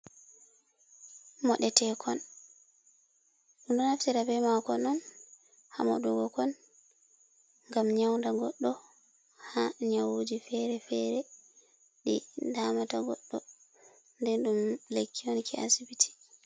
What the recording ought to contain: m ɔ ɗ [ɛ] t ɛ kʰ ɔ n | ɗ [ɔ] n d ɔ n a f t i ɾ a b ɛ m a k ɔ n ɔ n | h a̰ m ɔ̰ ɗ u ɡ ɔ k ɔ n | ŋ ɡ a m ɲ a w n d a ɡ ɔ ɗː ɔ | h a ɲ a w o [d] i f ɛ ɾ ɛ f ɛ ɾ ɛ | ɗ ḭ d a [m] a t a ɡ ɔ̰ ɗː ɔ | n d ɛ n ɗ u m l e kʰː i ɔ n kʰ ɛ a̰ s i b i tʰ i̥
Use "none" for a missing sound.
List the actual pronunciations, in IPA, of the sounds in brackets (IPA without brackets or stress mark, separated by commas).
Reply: ɛ, u, d͡ʒ, m